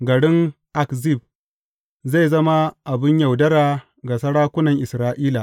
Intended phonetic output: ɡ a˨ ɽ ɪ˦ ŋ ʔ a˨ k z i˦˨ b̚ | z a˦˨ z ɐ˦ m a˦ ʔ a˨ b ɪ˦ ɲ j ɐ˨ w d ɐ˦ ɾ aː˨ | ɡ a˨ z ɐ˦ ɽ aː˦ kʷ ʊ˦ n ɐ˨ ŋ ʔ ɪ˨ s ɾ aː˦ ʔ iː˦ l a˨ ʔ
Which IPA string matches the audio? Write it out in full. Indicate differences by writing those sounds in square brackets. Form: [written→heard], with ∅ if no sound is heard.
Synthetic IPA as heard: ɡ [a˨→ɐ˨] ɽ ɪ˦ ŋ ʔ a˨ k z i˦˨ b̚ | z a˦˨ z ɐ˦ m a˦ ʔ a˨ b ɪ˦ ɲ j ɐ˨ w d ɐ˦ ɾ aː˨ | ɡ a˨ [z→s] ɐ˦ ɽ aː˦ kʷ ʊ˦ n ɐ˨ ŋ ʔ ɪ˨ s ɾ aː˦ ʔ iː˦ l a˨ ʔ